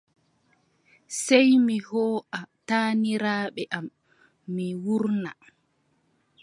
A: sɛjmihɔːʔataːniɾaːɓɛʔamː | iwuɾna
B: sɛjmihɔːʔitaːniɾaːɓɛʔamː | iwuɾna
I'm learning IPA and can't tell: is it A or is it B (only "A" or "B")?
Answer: A